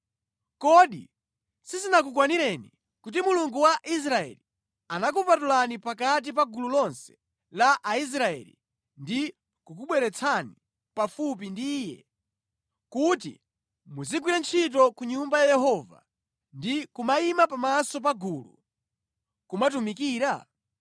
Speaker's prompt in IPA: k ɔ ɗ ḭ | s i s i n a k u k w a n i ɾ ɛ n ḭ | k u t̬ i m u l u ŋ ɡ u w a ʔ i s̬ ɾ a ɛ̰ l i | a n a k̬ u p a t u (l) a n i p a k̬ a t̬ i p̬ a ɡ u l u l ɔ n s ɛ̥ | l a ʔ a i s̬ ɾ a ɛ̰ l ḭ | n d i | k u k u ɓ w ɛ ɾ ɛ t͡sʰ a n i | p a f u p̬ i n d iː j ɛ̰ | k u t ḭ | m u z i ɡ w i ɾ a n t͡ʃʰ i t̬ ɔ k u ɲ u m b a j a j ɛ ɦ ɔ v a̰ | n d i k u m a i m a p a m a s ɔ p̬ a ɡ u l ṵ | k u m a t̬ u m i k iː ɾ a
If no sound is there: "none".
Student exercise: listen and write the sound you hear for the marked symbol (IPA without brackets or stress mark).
l